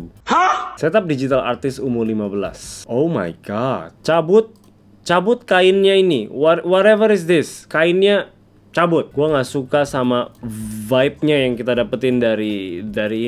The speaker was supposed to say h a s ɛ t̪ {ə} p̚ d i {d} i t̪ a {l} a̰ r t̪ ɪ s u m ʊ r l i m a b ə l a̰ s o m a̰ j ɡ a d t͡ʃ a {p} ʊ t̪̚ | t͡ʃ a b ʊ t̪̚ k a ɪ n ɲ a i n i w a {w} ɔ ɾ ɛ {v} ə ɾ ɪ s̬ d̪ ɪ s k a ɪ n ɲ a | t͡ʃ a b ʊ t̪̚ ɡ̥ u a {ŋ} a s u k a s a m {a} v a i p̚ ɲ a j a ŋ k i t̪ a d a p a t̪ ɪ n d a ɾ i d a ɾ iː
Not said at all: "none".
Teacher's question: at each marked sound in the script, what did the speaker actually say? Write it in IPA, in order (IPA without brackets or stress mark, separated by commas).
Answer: a, d͡ʒ, l, b, w, v, ŋ, a